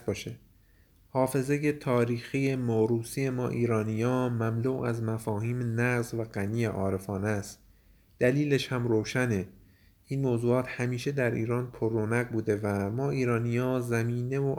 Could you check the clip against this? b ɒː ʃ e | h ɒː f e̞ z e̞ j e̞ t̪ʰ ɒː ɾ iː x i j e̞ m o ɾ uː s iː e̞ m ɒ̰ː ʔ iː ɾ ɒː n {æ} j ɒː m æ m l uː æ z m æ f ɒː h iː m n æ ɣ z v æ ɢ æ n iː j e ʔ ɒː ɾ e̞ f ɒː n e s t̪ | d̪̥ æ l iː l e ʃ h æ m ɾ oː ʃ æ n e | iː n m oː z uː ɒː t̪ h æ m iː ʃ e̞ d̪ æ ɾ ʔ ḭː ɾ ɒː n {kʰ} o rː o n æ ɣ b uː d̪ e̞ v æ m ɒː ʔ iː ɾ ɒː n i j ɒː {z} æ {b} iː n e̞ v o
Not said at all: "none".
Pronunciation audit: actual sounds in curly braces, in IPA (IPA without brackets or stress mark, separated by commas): i, pʰ, z, m